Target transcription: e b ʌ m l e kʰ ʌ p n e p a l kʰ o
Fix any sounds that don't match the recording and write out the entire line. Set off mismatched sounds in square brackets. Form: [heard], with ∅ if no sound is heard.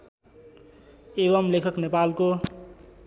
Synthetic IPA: e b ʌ m l e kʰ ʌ [k] n e p a l [k] o